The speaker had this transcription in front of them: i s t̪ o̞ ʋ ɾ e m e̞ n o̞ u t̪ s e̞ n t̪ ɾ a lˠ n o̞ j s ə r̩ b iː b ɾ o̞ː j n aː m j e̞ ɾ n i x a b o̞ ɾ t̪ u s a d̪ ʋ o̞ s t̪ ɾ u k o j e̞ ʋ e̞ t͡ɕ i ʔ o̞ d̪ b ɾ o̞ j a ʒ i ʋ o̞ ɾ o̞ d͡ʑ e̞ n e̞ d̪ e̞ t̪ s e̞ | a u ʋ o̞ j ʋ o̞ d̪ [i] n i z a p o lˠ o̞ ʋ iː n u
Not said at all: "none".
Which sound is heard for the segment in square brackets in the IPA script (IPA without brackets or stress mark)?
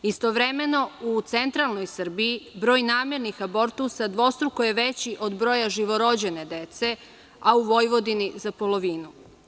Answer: i